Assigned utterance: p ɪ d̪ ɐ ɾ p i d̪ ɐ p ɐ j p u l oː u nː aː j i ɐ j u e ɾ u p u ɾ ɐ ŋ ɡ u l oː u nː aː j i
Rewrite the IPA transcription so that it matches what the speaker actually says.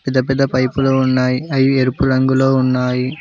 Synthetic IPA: p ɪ d̪ ɐ p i d̪ ɐ p ɐ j p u l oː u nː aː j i ɐ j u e ɾ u p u ɾ ɐ ŋ ɡ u l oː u nː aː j i